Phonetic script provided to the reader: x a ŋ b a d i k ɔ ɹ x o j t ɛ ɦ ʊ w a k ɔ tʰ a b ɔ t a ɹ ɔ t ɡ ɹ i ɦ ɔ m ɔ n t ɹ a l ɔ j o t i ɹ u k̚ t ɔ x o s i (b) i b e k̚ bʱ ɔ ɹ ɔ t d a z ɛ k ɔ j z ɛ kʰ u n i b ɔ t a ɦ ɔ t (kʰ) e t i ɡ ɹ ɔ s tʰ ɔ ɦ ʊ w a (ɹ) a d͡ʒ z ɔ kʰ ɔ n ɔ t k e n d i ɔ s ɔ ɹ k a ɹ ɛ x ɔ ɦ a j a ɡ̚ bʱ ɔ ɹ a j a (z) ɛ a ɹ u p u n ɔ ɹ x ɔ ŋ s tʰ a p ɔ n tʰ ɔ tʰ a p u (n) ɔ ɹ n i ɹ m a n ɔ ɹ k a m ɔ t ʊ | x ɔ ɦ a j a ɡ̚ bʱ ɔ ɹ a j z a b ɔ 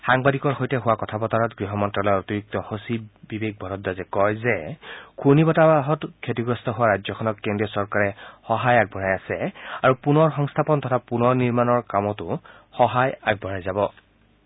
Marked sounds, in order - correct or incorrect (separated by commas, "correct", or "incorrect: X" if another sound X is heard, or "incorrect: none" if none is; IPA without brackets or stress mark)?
correct, correct, correct, incorrect: s, correct